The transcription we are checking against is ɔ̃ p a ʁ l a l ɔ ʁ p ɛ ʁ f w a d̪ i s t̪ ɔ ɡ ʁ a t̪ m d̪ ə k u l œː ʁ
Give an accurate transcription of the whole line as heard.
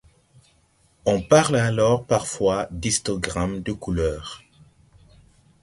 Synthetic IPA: ɔ̃ p a ʁ l a l ɔ ʁ p a ʁ f w a d̪ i s t̪ ɔ ɡ ʁ a m d̪ ə k u l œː ʁ

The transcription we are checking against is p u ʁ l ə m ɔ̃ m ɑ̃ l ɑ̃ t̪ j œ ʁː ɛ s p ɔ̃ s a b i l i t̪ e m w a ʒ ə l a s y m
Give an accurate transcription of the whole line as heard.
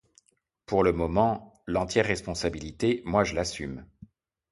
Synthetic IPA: p u ʁ l ə m ɔ m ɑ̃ l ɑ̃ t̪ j ɛ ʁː ɛ s p ɔ̃ s a b i l i t̪ e m w a ʒ ə l a s y m

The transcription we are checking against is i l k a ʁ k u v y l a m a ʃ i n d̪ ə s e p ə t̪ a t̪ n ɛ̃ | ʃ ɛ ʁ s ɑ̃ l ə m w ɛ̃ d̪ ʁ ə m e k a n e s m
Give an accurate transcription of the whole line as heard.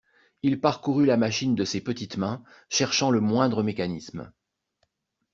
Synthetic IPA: i l p a ʁ k u ʁ y l a m a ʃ i n d̪ ə s e p ə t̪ i t̪ m ɛ̃ | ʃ ɛ ʁ ʃ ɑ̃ l ə m w ɛ̃ d̪ ʁ ə m e k a n i s m

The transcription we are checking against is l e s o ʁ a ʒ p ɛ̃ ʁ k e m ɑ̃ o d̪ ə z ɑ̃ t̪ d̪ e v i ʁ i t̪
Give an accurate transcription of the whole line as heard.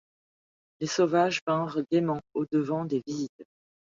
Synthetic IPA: l e s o v a ʒ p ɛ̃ ʁ ɡ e m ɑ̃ o d̪ ə v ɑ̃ d̪ e v i z i t̪

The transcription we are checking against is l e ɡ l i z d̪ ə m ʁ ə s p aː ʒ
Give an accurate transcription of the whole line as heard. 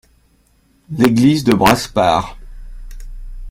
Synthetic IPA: l e ɡ l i z d̪ ə b ʁ a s p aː ʁ

